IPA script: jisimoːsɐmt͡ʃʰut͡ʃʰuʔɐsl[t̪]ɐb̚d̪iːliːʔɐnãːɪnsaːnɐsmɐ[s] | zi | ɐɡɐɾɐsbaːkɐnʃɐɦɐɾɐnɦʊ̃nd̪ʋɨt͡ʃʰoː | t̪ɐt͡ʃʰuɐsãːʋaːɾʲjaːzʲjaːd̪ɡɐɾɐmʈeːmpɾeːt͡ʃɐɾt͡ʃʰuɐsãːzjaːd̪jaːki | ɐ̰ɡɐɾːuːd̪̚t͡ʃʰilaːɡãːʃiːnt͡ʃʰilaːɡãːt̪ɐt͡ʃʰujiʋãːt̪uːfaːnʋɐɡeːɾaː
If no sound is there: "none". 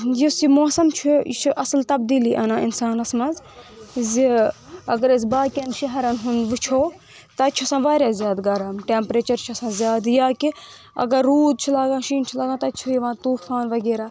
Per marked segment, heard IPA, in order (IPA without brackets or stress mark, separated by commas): t̪, z